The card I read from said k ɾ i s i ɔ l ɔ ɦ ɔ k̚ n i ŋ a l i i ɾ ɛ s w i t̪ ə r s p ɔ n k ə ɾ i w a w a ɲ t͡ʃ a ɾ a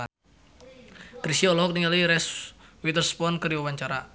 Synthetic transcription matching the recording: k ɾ i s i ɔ l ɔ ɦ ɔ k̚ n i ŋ a l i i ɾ ɛ s w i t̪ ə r s p ɔ n k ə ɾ i w a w a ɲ t͡ʃ a ɾ a

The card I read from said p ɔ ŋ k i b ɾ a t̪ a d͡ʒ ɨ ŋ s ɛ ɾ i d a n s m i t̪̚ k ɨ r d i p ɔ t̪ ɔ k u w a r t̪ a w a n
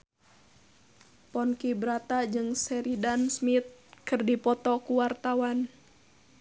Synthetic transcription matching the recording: p ɔ n k i b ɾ a t̪ a d͡ʒ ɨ ŋ s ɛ ɾ i d a n s m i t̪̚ k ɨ r d i p ɔ t̪ ɔ k u w a r t̪ a w a n

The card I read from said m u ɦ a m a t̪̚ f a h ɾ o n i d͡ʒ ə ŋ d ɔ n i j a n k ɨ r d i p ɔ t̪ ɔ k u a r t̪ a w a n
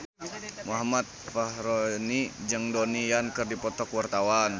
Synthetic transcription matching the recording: m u ɦ a m a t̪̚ f a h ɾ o n i d͡ʒ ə ŋ d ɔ n i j a n k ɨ r d i p ɔ t̪ ɔ k w a r t̪ a w a n

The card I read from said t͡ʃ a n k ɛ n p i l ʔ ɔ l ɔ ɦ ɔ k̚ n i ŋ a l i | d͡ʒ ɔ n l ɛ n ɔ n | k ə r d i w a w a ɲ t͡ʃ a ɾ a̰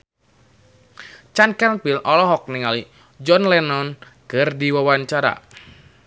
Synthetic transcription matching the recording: t͡ʃ a n k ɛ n p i l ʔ ɔ l ɔ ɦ ɔ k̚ n i ŋ a l i | d͡ʒ ɔ n l ɛ n ɔ n | k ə r d i w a w a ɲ t͡ʃ a ɾ a̰

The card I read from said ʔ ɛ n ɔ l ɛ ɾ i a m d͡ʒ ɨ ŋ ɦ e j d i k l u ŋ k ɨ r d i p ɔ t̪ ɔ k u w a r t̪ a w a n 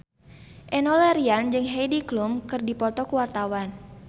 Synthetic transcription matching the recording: ʔ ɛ n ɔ l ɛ ɾ i a n d͡ʒ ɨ ŋ ɦ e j d i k l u m k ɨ r d i p ɔ t̪ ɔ k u w a r t̪ a w a n

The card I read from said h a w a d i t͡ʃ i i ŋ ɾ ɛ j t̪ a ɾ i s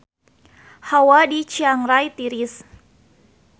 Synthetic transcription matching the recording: h a w a d i t͡ʃ i a ŋ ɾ a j t̪ i ɾ i s

